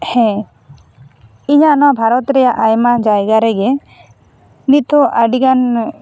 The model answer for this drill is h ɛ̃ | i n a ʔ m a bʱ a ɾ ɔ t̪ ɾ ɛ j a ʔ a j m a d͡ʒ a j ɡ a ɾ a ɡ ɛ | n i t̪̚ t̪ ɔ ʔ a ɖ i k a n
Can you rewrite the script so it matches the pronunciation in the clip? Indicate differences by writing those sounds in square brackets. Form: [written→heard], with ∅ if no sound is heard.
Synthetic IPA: h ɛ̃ | i [n→ɲ] a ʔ [m→n] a bʱ a ɾ ɔ t̪ ɾ ɛ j a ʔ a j m a d͡ʒ a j ɡ a ɾ [a→ɛ] ɡ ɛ | n i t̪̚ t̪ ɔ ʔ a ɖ i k a n